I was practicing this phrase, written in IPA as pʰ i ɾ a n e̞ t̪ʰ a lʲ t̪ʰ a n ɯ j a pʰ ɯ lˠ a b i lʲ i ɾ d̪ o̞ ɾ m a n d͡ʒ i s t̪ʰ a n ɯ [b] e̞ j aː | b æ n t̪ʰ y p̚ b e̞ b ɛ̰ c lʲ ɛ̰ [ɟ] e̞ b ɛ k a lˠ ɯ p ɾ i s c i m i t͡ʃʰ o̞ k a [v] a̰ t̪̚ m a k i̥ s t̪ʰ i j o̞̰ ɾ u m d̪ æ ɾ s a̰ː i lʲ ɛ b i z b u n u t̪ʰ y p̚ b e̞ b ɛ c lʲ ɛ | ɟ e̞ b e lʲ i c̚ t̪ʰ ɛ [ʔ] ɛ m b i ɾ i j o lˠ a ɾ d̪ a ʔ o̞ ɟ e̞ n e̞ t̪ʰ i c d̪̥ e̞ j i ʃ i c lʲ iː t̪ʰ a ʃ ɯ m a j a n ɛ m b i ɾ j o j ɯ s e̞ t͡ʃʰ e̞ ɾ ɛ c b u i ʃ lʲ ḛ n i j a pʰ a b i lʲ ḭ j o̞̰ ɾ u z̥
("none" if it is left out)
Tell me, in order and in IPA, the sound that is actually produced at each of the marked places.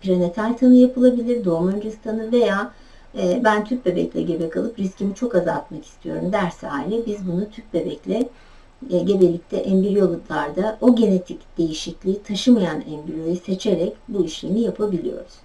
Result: v, ɟ, z, ʔ

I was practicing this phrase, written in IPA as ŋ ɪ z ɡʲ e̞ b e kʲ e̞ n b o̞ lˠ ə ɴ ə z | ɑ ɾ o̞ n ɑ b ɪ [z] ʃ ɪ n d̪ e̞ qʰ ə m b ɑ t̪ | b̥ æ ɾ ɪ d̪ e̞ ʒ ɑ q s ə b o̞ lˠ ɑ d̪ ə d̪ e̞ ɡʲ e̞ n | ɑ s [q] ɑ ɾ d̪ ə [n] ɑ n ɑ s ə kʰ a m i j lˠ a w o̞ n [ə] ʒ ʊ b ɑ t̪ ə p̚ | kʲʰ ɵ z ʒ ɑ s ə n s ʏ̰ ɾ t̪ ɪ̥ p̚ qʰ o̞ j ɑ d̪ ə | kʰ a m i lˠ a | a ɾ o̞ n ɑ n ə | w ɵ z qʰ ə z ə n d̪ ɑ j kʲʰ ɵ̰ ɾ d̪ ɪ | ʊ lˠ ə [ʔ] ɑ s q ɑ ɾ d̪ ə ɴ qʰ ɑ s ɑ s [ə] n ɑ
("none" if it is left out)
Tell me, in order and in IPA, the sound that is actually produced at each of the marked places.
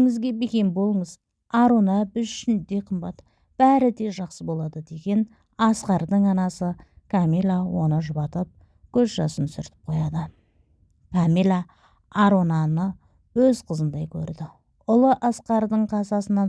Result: z, q, ɴ, ə, ʔ, ə

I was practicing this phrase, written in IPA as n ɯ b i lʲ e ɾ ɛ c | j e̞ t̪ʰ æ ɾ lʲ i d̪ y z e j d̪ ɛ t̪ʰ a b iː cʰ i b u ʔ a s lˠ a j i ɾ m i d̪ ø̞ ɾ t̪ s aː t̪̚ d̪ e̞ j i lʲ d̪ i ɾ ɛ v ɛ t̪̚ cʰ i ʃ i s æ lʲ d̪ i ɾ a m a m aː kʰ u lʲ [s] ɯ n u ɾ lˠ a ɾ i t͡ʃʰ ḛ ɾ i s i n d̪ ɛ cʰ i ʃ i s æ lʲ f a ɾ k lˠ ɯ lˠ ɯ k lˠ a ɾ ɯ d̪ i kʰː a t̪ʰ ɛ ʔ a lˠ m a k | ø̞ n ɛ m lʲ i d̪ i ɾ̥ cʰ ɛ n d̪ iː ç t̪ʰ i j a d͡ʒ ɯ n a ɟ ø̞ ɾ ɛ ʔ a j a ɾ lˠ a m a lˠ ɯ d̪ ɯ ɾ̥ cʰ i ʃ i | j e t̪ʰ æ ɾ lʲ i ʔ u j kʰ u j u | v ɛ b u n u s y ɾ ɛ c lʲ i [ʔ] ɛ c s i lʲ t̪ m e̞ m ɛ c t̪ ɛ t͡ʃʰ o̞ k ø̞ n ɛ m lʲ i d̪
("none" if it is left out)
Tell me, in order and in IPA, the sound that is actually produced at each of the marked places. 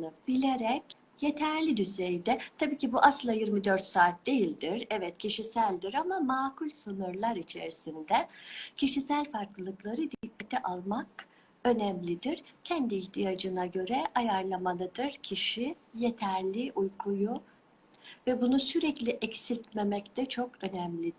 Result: s, ʔ

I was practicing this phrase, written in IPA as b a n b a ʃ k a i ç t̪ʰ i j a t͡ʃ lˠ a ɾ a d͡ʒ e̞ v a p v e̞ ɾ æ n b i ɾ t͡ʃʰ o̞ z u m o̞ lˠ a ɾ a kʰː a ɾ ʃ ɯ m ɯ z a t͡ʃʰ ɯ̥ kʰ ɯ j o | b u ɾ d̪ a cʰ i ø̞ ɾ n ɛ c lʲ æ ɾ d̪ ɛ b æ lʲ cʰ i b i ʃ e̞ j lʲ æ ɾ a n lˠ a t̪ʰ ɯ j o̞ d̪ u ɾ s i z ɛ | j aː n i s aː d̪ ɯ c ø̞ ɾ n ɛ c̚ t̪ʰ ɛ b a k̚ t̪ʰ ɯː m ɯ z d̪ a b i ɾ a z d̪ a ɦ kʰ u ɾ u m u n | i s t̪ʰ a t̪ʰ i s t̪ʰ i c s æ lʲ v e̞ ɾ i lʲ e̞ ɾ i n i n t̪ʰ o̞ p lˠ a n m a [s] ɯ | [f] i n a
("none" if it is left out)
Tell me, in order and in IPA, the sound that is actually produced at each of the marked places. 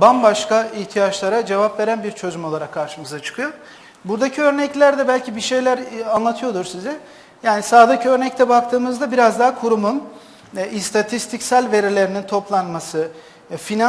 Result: s, f

